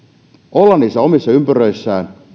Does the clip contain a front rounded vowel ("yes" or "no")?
yes